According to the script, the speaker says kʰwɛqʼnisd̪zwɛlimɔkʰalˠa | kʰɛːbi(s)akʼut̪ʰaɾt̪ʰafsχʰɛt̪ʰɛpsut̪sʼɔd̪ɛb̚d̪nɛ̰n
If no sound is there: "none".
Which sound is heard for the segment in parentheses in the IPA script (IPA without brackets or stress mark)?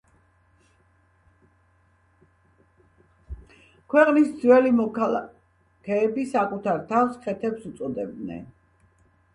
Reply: s